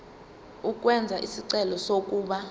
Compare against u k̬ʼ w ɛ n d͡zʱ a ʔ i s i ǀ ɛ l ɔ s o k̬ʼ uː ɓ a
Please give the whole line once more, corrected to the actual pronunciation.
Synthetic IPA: u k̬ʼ w ɛ n d͡zʱ a ʔ i s i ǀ ɛ l ɔ s o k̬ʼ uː ɓ a